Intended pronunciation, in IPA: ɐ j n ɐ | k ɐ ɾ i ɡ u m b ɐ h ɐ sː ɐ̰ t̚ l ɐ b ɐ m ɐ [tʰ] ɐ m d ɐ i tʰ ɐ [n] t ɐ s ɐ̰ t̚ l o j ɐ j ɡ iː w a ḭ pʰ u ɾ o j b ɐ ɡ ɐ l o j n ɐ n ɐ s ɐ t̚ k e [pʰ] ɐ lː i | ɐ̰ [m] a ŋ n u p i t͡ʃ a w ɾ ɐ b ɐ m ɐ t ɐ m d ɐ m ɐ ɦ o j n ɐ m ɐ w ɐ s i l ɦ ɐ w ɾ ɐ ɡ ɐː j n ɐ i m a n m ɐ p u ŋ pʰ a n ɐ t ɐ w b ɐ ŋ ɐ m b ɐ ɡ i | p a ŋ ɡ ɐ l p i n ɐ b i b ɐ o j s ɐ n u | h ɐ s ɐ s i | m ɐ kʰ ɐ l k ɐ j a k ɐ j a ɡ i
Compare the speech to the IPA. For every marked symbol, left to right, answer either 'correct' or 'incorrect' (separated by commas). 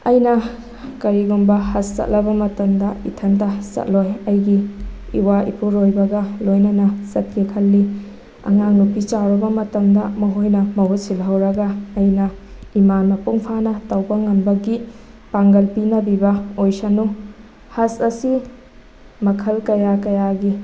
incorrect, correct, incorrect, incorrect